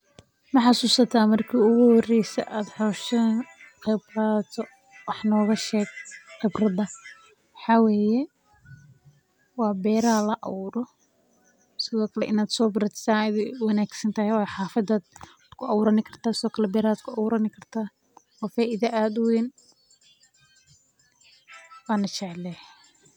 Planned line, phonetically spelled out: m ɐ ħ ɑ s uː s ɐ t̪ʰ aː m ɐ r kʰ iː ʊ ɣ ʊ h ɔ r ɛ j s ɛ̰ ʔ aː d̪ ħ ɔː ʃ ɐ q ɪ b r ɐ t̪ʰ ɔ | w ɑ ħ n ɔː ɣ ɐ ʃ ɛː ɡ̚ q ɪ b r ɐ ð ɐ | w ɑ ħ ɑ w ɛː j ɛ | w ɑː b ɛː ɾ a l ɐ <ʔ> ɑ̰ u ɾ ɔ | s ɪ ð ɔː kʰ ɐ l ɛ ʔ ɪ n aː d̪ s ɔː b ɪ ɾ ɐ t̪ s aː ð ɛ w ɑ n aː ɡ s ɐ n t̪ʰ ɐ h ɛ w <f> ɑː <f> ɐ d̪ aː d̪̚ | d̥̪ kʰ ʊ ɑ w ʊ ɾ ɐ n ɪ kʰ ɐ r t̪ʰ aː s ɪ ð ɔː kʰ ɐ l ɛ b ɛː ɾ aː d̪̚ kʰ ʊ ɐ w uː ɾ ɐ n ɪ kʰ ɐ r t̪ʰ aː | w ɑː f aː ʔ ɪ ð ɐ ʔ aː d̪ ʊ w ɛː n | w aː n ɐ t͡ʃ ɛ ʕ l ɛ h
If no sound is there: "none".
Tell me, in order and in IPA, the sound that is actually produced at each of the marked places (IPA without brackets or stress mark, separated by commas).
ʔ, ħ, f